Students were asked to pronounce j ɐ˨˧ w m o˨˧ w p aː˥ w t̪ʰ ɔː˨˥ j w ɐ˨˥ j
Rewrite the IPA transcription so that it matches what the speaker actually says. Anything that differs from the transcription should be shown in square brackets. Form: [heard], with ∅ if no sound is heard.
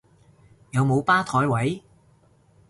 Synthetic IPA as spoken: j ɐ˨˧ w m o˨˧ w p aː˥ [∅] t̪ʰ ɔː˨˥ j w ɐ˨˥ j